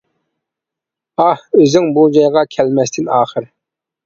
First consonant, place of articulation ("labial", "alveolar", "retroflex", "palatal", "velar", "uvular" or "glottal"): glottal